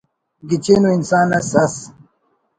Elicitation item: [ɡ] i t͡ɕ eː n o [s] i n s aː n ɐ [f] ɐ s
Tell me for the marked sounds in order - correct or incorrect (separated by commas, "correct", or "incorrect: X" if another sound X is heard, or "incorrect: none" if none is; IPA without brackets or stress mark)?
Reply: correct, incorrect: none, incorrect: s